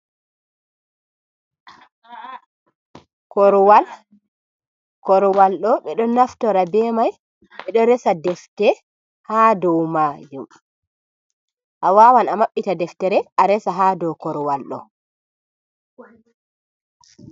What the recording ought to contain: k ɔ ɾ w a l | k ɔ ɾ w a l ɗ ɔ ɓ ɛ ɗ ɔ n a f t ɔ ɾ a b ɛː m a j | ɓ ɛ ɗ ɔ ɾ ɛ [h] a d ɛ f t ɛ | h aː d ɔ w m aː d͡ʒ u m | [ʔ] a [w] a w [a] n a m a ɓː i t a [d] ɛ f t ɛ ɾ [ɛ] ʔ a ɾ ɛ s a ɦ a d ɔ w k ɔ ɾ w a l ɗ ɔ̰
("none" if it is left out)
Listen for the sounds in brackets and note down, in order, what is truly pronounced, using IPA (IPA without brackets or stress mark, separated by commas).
s, ʔ, w, a, d, ɛ